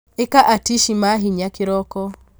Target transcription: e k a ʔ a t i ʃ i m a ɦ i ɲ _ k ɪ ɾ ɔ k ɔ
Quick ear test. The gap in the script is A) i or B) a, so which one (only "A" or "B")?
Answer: B